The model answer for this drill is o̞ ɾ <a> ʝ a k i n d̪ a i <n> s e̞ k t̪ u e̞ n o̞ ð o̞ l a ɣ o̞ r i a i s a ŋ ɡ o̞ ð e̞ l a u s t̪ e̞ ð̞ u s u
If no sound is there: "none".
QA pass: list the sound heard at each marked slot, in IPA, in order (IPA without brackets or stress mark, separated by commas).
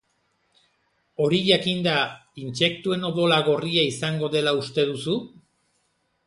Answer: i, n